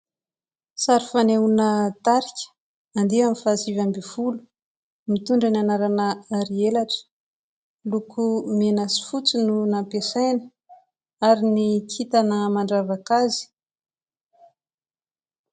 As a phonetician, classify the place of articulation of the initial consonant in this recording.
alveolar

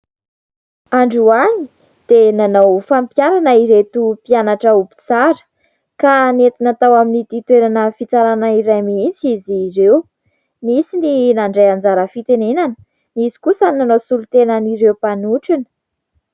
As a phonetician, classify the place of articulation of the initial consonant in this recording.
retroflex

